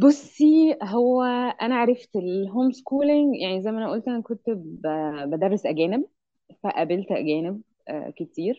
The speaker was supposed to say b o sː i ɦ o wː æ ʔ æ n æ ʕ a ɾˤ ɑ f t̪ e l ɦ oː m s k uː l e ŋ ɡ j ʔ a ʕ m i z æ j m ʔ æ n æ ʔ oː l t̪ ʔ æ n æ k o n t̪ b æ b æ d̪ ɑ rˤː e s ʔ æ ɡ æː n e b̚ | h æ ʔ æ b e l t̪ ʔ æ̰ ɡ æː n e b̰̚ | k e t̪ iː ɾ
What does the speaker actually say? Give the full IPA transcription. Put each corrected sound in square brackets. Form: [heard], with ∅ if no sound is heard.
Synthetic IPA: b o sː i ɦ o wː æ ʔ æ n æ ʕ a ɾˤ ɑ f t̪ e l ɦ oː m s k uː l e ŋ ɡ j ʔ a ʕ [n] i z æ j m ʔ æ n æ ʔ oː l t̪ ʔ æ n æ k o n t̪ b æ b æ d̪ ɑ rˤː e s ʔ æ ɡ æː n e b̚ | [f] æ ʔ æ b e l t̪ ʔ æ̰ ɡ æː n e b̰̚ | k e t̪ iː ɾ